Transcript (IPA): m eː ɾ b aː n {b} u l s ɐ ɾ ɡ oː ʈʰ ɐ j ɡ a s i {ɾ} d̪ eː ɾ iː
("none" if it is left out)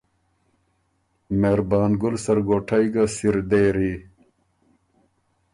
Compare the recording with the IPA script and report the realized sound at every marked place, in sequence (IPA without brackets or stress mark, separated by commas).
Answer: ɡ, ɾ